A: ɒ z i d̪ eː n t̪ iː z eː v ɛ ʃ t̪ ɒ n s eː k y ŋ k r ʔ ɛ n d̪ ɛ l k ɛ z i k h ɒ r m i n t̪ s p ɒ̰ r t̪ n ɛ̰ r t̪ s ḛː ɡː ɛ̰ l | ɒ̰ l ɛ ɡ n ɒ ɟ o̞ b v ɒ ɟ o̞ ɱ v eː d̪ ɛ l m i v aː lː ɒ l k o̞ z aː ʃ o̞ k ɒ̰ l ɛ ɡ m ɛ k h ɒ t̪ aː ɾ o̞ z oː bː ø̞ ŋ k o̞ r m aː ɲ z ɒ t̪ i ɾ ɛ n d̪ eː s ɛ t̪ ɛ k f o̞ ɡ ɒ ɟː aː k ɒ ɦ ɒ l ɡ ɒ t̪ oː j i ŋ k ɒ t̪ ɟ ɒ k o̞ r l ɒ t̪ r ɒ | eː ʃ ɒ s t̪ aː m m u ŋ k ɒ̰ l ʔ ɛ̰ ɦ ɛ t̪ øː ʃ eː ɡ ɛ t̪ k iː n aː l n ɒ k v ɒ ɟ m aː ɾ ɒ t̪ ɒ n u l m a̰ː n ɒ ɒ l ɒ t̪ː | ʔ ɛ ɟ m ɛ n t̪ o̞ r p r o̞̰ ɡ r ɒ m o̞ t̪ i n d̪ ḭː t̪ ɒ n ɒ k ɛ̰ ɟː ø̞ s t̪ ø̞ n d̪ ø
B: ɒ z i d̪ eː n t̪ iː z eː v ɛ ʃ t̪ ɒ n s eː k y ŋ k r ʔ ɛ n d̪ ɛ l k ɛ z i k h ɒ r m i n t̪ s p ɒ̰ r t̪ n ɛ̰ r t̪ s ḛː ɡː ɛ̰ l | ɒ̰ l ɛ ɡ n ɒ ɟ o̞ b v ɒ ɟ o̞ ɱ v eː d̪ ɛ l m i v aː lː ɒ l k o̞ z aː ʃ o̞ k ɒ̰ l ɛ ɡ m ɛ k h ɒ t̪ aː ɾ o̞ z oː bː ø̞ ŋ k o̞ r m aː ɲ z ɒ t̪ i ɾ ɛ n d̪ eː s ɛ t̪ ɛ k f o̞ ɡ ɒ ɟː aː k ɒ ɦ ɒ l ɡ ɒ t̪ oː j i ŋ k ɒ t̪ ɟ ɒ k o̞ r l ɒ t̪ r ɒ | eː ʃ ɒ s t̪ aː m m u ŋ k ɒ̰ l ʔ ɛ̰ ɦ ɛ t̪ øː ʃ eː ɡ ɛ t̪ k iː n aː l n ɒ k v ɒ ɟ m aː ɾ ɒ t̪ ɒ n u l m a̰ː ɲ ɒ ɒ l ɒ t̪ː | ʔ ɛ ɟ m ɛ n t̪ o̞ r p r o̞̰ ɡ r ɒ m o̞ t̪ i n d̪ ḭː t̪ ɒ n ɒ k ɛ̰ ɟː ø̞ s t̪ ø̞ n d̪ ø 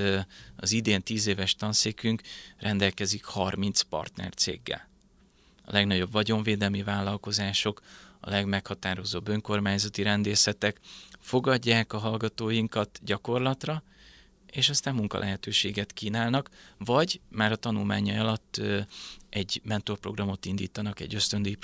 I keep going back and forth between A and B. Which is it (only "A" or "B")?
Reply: B